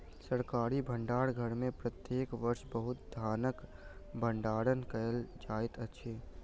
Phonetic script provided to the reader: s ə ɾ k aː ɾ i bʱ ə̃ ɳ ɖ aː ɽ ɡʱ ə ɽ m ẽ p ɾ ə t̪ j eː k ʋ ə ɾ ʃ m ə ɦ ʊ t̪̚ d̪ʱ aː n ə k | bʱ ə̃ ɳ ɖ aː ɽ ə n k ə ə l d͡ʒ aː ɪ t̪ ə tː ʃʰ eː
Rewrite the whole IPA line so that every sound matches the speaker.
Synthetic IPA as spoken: s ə ɾ k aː ɾ i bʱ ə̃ ɳ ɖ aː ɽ ɡʱ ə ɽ m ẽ p ɾ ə t̪ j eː k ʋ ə ɾ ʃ b ə ɦ ʊ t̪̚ d̪ʱ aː n ə k | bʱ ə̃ ɳ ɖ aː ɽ ə n k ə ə l d͡ʒ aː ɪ t̪ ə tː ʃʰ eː

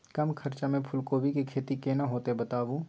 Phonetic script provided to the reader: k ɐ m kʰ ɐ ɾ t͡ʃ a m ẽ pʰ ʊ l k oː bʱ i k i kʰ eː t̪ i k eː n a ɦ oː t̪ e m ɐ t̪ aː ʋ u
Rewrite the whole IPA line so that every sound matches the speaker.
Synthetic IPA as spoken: k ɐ m kʰ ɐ ɾ t͡ʃ a m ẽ pʰ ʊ l k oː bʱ i k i kʰ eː t̪ i k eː n a ɦ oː t̪ e b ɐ t̪ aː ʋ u

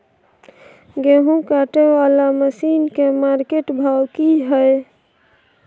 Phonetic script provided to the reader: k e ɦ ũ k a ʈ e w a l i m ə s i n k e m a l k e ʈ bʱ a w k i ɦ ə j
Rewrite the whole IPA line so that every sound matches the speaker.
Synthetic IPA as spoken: ɡ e ɦ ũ k a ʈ e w a l a m ə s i n k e m a ɾ k e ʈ bʱ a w k i ɦ ə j

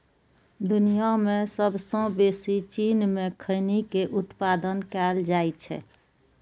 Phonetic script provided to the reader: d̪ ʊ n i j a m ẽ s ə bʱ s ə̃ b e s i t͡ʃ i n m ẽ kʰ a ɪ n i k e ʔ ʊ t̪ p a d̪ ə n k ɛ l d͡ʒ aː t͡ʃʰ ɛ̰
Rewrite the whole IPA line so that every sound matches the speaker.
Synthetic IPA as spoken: d̪ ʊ n i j a m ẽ s ə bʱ s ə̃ b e s i t͡ʃ i n m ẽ kʰ ə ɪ n i k e ʔ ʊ t̪ p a d̪ ə n k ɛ l d͡ʒ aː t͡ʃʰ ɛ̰

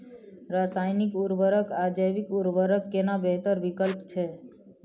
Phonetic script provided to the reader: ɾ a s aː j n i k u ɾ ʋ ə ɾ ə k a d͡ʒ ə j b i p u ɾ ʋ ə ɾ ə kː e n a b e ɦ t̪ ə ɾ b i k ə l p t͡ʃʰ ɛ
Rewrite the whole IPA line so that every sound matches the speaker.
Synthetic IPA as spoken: ɾ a s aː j n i k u ɾ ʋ ə ɾ ə k a d͡ʒ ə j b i k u ɾ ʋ ə ɾ ə kː e n a b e ɦ t̪ ə ɾ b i k ə l p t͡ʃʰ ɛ

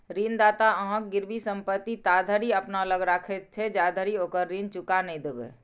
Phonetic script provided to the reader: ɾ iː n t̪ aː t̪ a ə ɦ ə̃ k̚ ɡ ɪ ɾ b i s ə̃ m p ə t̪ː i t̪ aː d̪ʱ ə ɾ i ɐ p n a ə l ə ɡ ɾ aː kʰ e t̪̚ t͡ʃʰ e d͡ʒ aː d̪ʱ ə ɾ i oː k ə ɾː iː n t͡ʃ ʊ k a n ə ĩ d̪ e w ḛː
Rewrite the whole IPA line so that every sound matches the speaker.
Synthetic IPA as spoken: ɾ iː n d̪ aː t̪ a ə ɦ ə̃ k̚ ɡ ɪ ɾ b i s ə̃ m p ə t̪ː i t̪ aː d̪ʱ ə ɾ i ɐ p n a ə l ə ɡ ɾ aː kʰ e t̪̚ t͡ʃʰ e d͡ʒ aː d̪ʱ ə ɾ i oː k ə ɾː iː n t͡ʃ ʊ k a n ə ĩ d̪ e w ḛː

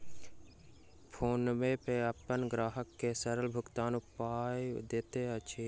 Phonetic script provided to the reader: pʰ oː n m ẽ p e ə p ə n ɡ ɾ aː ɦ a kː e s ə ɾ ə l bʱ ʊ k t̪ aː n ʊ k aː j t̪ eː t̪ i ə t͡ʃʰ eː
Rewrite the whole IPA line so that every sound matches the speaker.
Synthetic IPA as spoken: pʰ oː n m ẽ p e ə p ə n ɡ ɾ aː ɦ ə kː e s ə ɾ ə l bʱ ʊ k t̪ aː n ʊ p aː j d̪ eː t̪ e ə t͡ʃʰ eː

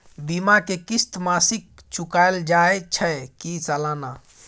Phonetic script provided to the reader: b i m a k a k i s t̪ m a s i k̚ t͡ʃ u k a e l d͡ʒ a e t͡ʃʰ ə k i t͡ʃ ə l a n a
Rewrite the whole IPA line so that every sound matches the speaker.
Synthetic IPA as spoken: b i m a k e k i s t̪ m a s i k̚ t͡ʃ u k a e l d͡ʒ a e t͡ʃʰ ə k i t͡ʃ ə l a n a

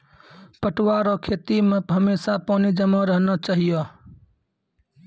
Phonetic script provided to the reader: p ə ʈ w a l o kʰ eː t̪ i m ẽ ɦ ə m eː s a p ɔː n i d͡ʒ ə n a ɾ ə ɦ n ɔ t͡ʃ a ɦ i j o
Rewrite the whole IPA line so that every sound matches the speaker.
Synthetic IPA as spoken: p ə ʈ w a ɾ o kʰ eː t̪ i m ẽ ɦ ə m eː s a p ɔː n i d͡ʒ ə m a ɾ ə ɦ n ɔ t͡ʃ a ɦ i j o

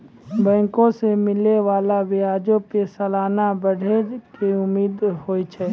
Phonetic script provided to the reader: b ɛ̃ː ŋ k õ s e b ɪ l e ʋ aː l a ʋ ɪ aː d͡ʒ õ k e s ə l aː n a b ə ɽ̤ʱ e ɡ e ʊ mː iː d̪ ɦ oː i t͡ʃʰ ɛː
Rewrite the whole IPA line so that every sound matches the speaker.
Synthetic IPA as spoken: b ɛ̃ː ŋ k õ s e m ɪ l e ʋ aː l a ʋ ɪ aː d͡ʒ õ p e s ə l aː n a b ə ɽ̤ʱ e k e ʊ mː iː d̪ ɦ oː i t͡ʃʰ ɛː

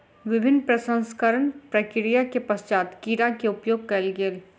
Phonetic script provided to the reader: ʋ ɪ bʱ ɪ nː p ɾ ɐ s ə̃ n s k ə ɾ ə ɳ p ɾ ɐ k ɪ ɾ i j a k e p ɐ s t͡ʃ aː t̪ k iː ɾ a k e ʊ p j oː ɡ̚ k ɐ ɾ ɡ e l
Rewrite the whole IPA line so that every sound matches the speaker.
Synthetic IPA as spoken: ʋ ɪ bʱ ɪ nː p ɾ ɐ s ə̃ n s k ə ɾ ə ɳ p ɾ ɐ k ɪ ɾ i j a k e p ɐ s t͡ʃ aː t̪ k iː ɾ a k e ʊ p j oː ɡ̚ k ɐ l ɡ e l

